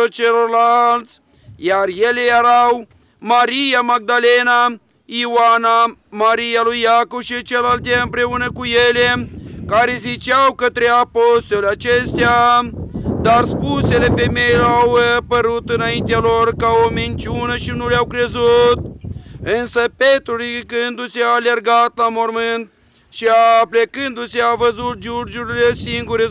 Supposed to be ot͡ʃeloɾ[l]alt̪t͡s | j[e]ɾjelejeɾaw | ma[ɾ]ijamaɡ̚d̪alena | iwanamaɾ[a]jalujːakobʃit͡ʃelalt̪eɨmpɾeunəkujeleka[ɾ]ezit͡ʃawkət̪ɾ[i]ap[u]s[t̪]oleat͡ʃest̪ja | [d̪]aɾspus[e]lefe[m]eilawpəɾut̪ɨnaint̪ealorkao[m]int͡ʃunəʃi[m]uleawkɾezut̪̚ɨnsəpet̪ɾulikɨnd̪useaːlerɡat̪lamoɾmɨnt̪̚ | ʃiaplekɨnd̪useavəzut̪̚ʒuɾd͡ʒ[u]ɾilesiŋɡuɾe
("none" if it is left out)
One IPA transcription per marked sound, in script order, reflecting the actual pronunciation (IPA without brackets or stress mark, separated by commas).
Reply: l, a, ɾ, i, ɾ, e, o, t̪, d̪, e, m, m, n, u